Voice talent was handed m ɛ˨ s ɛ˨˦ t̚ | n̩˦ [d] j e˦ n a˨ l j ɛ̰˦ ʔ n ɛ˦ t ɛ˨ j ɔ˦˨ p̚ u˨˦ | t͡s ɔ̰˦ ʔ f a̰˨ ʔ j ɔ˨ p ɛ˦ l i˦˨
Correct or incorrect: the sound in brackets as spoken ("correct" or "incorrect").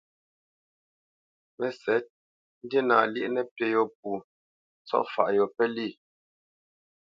correct